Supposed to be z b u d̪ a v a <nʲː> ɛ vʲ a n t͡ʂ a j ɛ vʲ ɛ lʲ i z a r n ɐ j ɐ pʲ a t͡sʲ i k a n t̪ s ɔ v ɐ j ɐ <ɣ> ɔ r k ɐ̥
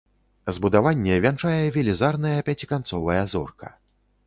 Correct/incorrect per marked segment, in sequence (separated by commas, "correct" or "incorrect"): correct, incorrect